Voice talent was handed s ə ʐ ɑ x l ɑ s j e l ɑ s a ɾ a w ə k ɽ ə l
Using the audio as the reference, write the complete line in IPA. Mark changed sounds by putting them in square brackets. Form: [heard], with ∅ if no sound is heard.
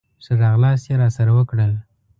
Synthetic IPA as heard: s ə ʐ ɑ [ɣ] l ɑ s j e [ɾ] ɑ s a ɾ a w ə k ɽ ə l